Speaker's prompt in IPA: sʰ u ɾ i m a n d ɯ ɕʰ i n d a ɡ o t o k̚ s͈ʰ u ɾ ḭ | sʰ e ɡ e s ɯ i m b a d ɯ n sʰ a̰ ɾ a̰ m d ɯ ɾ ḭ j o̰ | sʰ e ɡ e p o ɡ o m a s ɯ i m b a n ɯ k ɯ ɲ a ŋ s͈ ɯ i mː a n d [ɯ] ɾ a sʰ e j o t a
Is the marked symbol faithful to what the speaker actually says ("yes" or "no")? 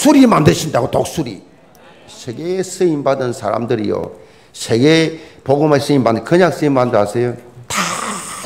yes